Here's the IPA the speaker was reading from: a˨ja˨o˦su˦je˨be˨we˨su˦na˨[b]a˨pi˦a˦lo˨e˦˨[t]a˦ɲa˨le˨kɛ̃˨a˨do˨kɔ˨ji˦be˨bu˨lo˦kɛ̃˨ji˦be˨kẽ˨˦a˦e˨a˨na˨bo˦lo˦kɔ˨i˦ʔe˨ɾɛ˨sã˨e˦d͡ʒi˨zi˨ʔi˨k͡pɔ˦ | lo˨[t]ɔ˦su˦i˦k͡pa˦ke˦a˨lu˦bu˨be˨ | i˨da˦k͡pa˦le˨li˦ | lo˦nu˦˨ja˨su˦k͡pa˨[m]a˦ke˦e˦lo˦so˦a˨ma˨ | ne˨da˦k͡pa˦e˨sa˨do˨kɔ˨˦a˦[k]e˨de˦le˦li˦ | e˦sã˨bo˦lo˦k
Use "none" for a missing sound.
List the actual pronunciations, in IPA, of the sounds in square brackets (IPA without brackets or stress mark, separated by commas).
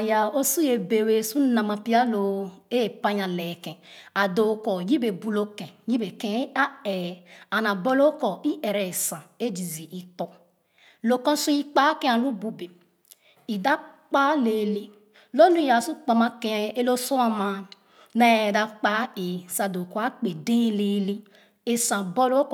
m, p, k, m, k͡p